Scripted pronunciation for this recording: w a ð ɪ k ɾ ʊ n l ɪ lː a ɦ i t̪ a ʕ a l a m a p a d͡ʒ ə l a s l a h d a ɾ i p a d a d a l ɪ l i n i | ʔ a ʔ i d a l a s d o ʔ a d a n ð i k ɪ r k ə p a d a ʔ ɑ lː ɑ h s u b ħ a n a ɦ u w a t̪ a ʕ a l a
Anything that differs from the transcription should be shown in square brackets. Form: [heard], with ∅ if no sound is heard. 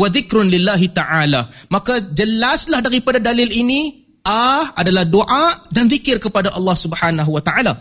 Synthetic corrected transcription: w a ð ɪ k ɾ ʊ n l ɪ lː a ɦ i t̪ a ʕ a l a m a [k] a d͡ʒ ə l a s l a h d a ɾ i p a d a d a l ɪ l i n i | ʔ a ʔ [a] d a l a [h] d o ʔ a d a n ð i k ɪ r k ə p a d a ʔ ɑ lː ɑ h s u b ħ a n a ɦ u w a t̪ a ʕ a l a